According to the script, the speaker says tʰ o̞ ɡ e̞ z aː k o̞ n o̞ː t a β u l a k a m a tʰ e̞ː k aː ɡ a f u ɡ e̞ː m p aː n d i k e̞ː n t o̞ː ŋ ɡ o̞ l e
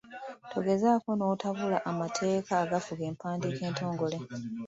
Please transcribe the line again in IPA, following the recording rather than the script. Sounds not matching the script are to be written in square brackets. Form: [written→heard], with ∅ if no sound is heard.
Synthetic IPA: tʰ o̞ ɡ e̞ z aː k o̞ n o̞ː t a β u l a [k→ʔ] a m a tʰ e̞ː k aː ɡ a f u ɡ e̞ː m p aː n d i k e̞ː n t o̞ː ŋ ɡ o̞ l e